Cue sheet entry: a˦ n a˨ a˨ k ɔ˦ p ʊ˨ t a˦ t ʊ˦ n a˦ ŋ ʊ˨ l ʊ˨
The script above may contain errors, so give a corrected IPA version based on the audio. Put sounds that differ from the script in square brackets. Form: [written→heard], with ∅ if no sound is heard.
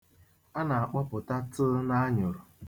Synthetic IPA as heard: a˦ n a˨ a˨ [k→k͡p] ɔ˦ p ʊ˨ t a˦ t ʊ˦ n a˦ [ŋ→ɲ] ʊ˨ [l→ɾ] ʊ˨